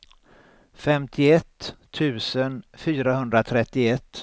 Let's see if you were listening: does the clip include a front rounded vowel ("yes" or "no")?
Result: yes